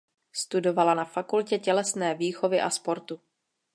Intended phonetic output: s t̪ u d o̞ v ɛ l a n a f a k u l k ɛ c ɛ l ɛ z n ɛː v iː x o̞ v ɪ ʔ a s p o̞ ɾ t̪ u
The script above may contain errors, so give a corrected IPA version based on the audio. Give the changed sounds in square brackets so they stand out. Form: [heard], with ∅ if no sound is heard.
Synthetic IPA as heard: s t̪ u d o̞ v [a] l a n a f a k u l [c] ɛ c ɛ l ɛ [s] n ɛː v iː x o̞ v ɪ ʔ a s p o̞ ɾ t̪ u